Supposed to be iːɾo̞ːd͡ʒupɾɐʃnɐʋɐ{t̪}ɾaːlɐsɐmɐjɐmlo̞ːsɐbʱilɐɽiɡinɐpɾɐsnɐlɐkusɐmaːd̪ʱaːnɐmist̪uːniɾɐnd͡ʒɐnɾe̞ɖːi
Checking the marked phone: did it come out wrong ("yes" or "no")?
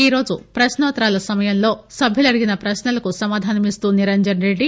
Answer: no